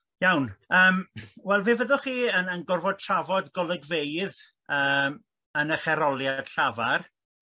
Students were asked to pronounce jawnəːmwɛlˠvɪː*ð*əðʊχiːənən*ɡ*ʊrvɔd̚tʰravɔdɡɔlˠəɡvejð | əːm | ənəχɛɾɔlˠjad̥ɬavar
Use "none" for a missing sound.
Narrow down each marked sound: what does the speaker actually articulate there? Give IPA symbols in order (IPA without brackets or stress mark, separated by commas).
v, ɡ